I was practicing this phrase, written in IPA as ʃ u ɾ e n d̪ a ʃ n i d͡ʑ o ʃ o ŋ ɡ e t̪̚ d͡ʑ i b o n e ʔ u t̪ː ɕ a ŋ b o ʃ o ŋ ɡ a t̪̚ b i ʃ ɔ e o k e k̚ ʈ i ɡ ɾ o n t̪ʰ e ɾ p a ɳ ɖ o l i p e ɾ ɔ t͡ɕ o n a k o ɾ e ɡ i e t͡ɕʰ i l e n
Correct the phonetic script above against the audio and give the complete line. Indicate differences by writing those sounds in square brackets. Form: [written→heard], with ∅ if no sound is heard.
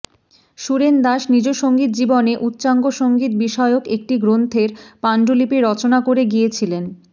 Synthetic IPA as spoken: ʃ u ɾ e n d̪ a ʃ n i d͡ʑ o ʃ o ŋ ɡ [e→i] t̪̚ d͡ʑ i b o n e ʔ u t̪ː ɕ a ŋ [b→ɡ] o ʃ o ŋ ɡ [a→i] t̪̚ b i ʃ ɔ e o k e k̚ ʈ i ɡ ɾ o n t̪ʰ e ɾ p a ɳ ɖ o l i p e ɾ ɔ t͡ɕ o n a k o ɾ e ɡ i e t͡ɕʰ i l e n